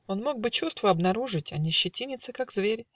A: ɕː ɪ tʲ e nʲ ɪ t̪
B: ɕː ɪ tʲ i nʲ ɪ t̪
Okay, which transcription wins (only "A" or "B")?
B